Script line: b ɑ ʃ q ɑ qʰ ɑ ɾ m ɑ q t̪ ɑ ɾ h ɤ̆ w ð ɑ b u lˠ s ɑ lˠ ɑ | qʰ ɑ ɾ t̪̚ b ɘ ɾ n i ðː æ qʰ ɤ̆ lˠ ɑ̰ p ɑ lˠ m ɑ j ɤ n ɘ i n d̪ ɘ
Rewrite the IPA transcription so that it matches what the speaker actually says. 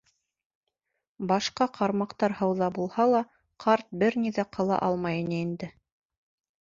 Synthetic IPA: b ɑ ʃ q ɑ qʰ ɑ ɾ m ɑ q t̪ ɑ ɾ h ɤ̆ w ð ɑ b u lˠ h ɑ lˠ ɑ | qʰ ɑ ɾ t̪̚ b ɘ ɾ n i ð æ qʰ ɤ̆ lˠ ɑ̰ ʔ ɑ lˠ m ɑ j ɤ n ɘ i n d̪ ɘ